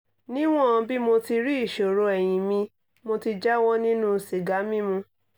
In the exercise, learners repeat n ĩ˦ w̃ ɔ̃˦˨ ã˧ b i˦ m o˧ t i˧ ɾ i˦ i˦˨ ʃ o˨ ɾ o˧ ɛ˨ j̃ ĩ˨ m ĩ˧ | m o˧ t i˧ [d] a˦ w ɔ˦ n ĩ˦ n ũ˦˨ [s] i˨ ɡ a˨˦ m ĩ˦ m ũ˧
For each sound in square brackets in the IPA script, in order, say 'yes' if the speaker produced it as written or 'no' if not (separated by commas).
no, yes